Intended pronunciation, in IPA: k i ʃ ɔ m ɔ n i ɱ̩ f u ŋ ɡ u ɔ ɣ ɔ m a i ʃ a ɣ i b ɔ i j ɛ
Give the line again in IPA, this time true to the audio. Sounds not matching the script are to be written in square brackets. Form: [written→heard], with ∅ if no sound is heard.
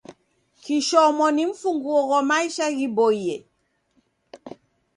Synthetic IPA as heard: k i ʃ ɔ m ɔ n i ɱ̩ f u ŋ ɡ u ɔ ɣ ɔ m a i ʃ a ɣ i b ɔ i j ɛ